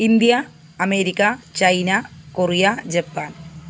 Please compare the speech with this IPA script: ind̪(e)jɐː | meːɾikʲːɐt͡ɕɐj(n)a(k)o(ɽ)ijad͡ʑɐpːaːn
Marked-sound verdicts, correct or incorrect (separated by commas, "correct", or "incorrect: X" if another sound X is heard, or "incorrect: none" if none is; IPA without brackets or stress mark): incorrect: i, correct, correct, incorrect: r